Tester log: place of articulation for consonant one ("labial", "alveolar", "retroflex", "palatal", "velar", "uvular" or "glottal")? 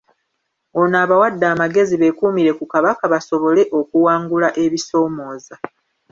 alveolar